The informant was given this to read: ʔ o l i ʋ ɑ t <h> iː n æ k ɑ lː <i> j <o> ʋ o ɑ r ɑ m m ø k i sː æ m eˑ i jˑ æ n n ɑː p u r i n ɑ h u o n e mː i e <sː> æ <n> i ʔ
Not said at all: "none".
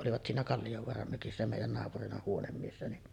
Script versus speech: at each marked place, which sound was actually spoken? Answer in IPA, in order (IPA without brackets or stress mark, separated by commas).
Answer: s, i, o, sː, n